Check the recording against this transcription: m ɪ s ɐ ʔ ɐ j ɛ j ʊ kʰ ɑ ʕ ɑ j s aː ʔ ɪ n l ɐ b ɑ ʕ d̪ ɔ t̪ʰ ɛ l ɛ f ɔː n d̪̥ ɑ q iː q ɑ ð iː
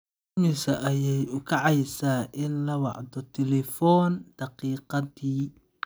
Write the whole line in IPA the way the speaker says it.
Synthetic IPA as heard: m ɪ s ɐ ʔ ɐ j ɛ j ʊ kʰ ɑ ʕ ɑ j s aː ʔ ɪ n l ɐ w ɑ ʕ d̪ ɔ t̪ʰ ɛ l ɛ f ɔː n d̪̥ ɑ q iː q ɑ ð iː